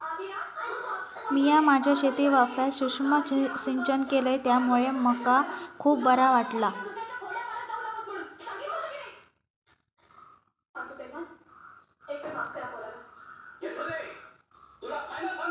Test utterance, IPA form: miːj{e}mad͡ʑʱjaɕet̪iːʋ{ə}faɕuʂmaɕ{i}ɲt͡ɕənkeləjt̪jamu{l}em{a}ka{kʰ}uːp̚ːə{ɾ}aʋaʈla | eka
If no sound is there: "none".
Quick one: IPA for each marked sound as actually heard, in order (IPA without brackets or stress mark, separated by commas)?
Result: a, a, i, ɭ, ə, kʰ, ɾ